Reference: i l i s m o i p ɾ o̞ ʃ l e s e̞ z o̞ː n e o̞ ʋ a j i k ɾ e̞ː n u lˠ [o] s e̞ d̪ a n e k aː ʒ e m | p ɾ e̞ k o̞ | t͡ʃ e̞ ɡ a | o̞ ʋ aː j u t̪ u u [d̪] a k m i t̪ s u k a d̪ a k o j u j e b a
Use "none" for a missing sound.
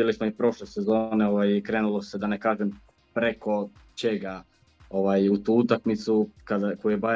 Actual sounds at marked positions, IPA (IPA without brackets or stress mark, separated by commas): o, t̪